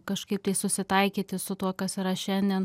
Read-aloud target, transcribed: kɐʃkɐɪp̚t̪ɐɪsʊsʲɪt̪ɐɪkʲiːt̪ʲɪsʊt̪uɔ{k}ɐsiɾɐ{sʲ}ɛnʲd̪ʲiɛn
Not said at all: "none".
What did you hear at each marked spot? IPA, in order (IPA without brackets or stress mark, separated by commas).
k, ʃʲ